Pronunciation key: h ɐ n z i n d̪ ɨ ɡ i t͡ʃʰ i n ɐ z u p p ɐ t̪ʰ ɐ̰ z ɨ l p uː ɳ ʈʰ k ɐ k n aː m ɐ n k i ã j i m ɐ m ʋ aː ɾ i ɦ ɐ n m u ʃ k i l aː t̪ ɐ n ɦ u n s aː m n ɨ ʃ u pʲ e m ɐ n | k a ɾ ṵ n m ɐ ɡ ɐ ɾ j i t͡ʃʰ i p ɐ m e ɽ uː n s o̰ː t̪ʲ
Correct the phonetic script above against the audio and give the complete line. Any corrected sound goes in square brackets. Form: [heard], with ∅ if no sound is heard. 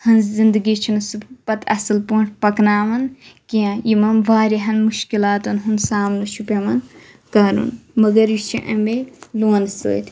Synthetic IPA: h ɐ n z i n d̪ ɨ ɡ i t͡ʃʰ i n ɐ [s] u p p ɐ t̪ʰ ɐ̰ [s] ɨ l p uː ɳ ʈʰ [p] ɐ k n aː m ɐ n k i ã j i m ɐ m ʋ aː ɾ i ɦ ɐ n m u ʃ k i l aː t̪ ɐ n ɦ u n s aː m n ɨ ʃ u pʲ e m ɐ n | k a ɾ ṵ n m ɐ ɡ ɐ ɾ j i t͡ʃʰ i [ʔ] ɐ m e [l] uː n s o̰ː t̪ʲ